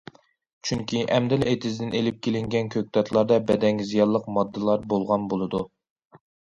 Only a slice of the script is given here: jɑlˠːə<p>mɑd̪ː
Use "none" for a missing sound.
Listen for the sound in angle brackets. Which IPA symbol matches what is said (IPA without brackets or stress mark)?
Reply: q